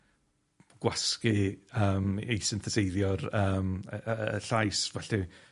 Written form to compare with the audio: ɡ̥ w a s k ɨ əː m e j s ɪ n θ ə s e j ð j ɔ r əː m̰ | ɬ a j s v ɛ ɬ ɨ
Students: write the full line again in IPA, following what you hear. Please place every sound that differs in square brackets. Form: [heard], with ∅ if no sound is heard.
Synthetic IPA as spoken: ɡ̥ w a s k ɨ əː m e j s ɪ n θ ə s e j ð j ɔ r əː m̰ | ɬ a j s v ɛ ɬ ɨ